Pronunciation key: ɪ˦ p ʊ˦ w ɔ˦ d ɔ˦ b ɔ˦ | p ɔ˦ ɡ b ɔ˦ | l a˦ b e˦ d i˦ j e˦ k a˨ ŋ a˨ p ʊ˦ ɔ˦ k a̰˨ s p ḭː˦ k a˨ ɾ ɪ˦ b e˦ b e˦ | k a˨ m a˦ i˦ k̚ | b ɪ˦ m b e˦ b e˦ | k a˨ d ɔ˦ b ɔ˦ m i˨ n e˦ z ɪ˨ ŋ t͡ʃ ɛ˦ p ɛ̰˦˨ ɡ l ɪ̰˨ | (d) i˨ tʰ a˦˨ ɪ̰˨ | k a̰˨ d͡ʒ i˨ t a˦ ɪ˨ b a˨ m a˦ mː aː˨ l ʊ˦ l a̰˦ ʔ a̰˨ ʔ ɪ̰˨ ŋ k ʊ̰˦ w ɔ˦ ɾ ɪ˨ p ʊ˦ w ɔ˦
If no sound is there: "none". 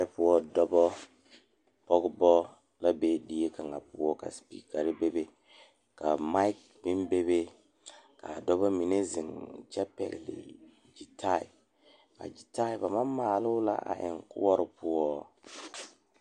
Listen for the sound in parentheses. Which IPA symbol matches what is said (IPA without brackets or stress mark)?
d͡ʒ